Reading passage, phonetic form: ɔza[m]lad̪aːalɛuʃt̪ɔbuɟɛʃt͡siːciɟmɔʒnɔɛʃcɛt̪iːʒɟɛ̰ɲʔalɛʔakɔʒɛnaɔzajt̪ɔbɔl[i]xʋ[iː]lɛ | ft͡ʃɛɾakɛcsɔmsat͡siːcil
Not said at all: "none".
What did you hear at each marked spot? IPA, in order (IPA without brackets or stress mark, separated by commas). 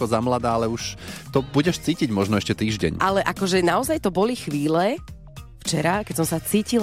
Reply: m, i, iː